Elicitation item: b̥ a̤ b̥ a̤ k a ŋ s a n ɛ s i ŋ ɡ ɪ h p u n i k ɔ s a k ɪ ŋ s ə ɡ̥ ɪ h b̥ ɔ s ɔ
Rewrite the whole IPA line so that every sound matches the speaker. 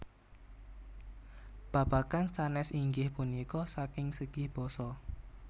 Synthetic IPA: b̥ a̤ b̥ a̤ k a n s a n ɛ s i ŋ ɡ ɪ h p u n i k ɔ s a k ɪ ŋ s ə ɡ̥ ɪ h b̥ ɔ s ɔ